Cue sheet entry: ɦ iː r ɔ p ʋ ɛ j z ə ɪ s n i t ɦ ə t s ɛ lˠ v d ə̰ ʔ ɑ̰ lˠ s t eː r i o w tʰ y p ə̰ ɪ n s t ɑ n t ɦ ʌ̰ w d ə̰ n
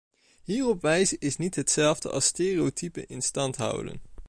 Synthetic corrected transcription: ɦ iː r ɔ p ʋ ɛ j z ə ɪ s n i t ɦ ə t s ɛ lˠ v d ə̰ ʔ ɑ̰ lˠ s t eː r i o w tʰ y p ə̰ ɪ n s t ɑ n t ɦ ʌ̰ w d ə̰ n